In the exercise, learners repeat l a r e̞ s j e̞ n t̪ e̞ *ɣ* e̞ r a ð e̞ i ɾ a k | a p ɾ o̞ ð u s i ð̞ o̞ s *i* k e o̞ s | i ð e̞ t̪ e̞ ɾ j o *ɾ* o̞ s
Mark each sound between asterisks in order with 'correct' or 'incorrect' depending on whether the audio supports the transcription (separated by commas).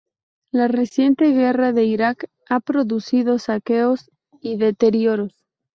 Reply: correct, incorrect, correct